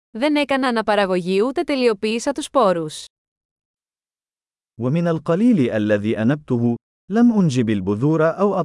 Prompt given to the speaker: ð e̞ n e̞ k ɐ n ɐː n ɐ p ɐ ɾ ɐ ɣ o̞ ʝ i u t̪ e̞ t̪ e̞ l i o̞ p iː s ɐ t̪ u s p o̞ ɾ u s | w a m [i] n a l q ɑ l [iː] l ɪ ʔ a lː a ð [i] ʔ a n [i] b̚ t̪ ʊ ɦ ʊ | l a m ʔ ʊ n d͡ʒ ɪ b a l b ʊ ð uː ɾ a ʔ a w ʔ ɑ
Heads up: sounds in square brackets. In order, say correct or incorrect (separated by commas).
incorrect, correct, incorrect, incorrect